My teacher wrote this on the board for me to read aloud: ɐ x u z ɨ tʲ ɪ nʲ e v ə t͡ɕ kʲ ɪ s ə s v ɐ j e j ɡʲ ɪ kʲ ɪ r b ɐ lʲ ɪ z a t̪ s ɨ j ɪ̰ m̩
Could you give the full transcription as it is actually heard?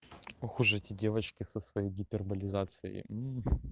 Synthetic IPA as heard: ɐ x u ʐ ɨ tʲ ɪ dʲ e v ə t͡ɕ kʲ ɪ s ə s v ɐ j e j ɡʲ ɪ pʲ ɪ r b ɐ lʲ ɪ z a t̪ s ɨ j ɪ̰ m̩